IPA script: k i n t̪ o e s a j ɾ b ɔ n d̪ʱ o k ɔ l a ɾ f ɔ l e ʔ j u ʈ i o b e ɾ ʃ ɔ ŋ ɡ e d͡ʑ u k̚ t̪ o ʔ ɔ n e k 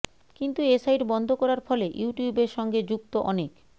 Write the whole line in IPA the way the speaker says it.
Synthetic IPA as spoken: k i n t̪ u e s a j ɾ b ɔ n d̪ʱ o k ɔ ɾ a ɾ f ɔ l e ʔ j u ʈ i u b e ɾ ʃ ɔ ŋ ɡ e d͡ʑ u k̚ t̪ o ʔ ɔ n e k